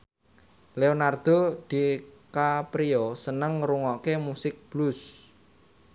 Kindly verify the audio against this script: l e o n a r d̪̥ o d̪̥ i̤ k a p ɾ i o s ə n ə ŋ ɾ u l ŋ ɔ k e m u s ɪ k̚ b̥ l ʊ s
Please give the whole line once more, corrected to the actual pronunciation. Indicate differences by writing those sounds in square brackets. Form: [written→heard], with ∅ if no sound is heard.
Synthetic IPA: l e o n a r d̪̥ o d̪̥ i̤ k a p ɾ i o s ə n ə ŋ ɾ u [l→∅] ŋ ɔ k e m u s ɪ k̚ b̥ l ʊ s